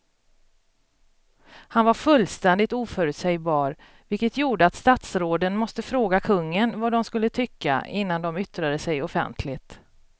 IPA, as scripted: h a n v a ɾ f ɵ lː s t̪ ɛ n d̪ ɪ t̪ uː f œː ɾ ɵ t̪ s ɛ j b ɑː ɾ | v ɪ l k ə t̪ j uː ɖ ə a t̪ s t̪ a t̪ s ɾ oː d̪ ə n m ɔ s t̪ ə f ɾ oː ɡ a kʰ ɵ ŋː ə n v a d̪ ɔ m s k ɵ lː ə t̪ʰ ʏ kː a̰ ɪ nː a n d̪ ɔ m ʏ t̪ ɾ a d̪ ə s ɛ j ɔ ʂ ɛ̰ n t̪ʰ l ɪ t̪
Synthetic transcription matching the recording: h a n v a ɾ f ɵ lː s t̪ ɛ n d̪ ɪ t̪ uː f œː ɾ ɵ t̪ s ɛ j b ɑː ɾ | v ɪ l k ə t̪ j uː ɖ ə a t̪ s t̪ a t̪ s ɾ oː d̪ ə n m ɔ s t̪ ə f ɾ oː ɡ a kʰ ɵ ŋː ə n v a d̪ ɔ m s k ɵ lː ə t̪ʰ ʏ kː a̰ ɪ nː a n d̪ ɔ m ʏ t̪ ɾ a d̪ ə s ɛ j ɔ f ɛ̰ n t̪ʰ l ɪ t̪